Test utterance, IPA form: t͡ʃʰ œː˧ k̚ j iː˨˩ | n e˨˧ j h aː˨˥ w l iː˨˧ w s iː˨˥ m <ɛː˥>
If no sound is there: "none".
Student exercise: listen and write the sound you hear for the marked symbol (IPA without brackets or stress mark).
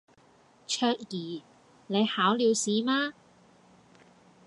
aː˥